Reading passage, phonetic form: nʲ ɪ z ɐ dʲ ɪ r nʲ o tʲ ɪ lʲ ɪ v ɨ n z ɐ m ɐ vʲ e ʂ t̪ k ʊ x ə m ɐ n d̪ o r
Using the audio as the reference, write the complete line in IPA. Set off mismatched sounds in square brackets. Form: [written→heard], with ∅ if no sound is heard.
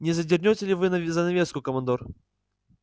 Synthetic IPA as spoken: nʲ ɪ z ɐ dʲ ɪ r nʲ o tʲ ɪ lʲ ɪ v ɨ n z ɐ [m→n] ɐ vʲ e [ʂ→s] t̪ k ʊ [x→k] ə m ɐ n d̪ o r